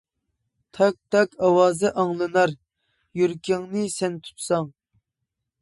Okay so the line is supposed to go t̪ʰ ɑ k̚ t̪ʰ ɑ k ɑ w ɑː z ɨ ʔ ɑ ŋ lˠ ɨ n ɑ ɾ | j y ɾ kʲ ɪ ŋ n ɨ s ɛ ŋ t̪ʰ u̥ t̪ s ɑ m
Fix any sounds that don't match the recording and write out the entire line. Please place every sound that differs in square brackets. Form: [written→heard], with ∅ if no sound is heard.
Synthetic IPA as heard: t̪ʰ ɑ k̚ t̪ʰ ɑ k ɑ w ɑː z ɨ ʔ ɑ ŋ lˠ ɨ n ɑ ɾ | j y ɾ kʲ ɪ ŋ n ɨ s ɛ [ŋ→n] t̪ʰ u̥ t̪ s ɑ [m→ŋ]